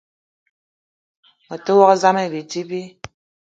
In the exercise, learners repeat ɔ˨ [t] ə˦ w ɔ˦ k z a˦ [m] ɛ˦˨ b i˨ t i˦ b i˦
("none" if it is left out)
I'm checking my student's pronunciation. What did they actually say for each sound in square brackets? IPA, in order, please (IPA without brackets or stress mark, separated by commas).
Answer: t, m